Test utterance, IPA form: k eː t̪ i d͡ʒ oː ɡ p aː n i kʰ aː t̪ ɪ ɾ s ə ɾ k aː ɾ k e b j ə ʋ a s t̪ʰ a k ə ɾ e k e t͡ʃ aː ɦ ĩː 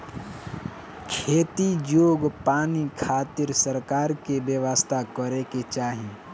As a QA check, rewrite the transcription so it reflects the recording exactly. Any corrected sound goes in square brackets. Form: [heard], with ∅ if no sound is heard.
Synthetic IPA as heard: [kʰ] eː t̪ i d͡ʒ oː ɡ p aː n i kʰ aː t̪ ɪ ɾ s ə ɾ k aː ɾ k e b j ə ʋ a s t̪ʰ a k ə ɾ e k e t͡ʃ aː ɦ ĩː